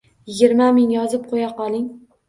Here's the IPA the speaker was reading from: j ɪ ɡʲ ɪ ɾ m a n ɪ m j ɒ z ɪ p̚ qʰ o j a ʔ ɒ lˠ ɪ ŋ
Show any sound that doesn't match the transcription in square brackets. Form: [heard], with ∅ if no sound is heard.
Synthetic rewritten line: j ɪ ɡʲ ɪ ɾ m a [m] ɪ [ŋ] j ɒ z ɪ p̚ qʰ o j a [q] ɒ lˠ ɪ ŋ